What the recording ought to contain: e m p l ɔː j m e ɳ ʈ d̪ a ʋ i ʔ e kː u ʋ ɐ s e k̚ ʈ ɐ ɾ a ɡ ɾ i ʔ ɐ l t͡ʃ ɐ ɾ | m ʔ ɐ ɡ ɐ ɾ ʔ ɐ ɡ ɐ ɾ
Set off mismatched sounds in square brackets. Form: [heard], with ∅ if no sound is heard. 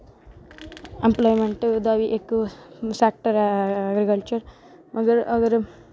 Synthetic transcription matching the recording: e m p l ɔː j m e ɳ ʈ d̪ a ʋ i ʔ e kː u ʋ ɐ s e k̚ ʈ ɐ ɾ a ɡ ɾ i [k] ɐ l t͡ʃ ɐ ɾ | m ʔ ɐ ɡ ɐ ɾ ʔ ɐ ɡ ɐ ɾ